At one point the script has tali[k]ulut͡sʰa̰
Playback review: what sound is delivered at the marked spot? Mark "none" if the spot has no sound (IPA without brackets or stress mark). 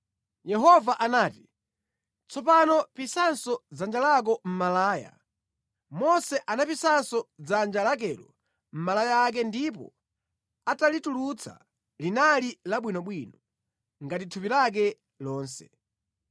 t